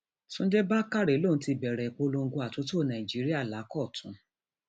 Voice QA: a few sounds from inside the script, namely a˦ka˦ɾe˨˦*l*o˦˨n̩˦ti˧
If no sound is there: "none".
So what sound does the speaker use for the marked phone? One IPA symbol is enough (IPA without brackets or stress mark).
l